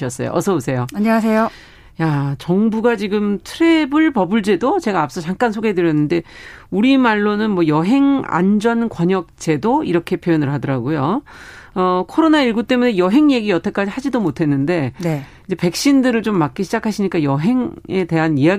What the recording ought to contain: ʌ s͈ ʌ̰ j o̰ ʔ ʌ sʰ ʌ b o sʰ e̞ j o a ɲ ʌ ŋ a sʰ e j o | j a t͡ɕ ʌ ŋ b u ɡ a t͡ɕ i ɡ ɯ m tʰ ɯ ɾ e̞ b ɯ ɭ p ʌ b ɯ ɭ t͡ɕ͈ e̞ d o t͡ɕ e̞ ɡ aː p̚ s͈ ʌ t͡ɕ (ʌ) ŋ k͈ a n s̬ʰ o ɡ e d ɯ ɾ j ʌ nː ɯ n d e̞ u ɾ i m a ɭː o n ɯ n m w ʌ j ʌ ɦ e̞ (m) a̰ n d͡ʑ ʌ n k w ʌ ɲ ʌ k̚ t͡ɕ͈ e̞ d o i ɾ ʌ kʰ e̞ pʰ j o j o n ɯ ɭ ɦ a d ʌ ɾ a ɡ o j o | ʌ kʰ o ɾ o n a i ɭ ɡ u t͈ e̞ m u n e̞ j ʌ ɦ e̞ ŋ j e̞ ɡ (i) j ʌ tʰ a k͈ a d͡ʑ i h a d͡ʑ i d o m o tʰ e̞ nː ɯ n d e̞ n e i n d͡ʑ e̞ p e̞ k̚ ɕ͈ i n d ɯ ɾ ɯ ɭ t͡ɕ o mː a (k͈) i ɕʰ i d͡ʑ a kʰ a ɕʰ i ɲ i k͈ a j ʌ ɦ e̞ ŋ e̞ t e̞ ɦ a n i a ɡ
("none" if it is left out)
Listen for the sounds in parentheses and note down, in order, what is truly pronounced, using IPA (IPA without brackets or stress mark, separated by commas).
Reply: a, ŋ, i, k͈